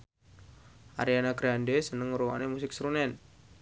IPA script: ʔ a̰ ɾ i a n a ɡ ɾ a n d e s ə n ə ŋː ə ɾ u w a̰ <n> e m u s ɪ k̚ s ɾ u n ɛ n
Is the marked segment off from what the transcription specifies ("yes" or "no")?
no